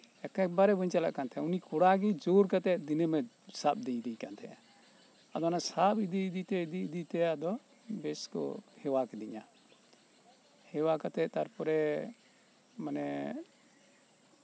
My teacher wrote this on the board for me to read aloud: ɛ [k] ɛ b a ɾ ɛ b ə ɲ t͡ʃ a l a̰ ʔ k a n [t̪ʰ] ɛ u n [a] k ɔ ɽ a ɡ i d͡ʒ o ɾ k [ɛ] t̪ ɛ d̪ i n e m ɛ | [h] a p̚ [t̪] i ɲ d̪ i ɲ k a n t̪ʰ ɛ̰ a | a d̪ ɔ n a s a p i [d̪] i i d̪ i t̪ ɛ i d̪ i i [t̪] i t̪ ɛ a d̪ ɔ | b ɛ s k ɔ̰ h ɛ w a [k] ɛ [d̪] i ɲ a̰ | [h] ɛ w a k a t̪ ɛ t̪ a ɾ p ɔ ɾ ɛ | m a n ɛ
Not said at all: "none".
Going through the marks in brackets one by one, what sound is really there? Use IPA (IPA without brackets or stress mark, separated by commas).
k, t̪ʰ, i, a, s, d̪, d̪, d̪, k, d̪, h